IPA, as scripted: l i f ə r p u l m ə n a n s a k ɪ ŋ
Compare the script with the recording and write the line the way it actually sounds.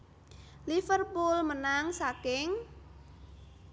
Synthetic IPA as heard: l i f ə r p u l m ə n a ŋ s a k ɪ ŋ